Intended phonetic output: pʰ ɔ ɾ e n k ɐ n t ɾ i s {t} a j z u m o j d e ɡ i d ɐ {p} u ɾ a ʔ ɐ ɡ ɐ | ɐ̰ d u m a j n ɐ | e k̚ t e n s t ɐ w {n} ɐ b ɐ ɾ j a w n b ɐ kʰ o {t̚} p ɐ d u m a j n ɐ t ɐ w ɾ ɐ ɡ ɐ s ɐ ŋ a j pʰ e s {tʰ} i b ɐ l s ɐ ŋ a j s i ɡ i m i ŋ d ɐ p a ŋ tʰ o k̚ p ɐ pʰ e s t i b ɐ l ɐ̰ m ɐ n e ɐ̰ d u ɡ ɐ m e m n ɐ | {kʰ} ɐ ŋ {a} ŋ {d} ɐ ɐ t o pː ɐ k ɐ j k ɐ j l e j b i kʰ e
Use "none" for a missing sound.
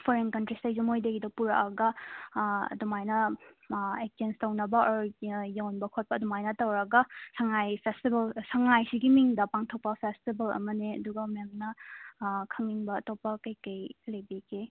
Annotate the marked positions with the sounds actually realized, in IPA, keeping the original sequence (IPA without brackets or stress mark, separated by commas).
t, p, n, t̚, t, kʰ, i, b